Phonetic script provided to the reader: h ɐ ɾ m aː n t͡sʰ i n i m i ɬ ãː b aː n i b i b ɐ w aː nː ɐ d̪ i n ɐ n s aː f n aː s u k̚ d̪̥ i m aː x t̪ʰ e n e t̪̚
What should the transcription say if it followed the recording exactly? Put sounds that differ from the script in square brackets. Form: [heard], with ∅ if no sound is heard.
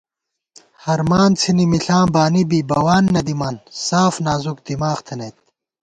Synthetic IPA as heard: h ɐ ɾ m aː n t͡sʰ i n i m i ɬ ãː b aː n i b i b ɐ w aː nː ɐ d̪ i [m] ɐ n s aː f n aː [z] u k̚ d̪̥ i m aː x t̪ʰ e n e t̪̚

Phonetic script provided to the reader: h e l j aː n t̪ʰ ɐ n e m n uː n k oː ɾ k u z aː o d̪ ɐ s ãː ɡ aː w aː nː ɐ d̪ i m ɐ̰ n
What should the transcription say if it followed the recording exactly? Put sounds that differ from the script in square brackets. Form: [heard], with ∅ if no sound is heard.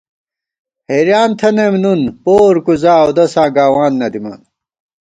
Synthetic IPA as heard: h e [ɾ] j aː n t̪ʰ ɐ n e m n [u] n [p] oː ɾ k u z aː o d̪ ɐ s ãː ɡ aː w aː nː ɐ d̪ i m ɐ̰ n

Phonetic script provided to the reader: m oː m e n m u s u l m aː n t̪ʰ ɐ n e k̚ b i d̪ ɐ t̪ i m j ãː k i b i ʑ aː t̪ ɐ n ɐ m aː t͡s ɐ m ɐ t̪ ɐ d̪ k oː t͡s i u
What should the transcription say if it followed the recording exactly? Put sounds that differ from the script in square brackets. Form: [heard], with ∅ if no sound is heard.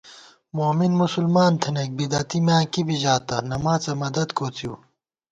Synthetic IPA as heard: m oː m [i] n m u s u l m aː n t̪ʰ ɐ n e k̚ b i d̪ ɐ t̪ i m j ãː k i b i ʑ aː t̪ ɐ n ɐ m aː t͡s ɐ m ɐ [d̪] ɐ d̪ k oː t͡s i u

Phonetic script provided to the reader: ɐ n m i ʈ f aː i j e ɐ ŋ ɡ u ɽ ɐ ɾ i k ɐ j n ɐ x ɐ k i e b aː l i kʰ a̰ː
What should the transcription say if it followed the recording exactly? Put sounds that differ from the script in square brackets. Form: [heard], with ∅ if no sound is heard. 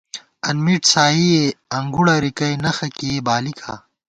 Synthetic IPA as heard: ɐ n m i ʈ [s] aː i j e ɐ ŋ ɡ u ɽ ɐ ɾ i k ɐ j n ɐ x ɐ k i e b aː l i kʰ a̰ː

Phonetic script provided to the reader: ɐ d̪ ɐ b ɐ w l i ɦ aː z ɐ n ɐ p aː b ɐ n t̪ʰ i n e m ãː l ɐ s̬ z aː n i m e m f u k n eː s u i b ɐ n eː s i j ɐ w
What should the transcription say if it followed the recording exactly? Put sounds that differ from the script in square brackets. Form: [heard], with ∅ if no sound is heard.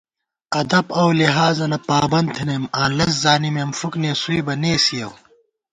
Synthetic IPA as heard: ɐ d̪ ɐ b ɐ w l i ɦ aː z ɐ n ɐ p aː b ɐ n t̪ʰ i n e m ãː l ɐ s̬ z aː n i m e m f u k n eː s u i b ɐ n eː s i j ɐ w

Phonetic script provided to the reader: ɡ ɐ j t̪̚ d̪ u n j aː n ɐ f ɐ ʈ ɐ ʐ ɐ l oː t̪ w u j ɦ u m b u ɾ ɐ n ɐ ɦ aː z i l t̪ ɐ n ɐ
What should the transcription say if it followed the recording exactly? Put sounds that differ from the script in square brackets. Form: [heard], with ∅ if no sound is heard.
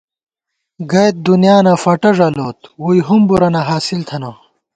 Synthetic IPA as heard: ɡ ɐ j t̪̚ d̪ u n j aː n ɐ f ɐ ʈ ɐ ʐ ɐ l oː t̪ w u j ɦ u m b u ɾ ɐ n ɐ ɦ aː [s] i l [t̪ʰ] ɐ n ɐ

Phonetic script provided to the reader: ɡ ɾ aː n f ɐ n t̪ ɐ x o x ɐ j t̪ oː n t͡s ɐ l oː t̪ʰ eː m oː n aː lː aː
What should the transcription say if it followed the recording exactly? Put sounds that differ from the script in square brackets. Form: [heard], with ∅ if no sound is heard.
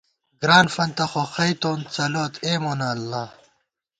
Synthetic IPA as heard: ɡ ɾ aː n f ɐ n t̪ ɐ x o x ɐ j t̪ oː n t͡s ɐ l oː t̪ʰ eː m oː n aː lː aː

